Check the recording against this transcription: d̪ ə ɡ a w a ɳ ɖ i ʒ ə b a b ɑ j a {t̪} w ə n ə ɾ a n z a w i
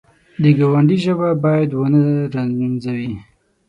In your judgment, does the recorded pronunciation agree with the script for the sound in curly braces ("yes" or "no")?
no